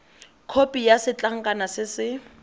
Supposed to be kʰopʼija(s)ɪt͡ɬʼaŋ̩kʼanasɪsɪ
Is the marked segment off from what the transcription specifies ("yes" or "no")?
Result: no